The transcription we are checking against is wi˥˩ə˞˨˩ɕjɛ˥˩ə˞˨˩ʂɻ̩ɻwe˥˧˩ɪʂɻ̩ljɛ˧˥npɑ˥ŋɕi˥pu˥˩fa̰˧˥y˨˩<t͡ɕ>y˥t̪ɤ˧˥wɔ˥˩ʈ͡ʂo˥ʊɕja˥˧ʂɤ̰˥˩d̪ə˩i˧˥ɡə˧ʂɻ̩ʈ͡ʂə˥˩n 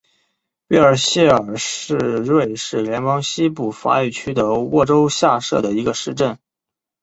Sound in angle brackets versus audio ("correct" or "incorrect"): incorrect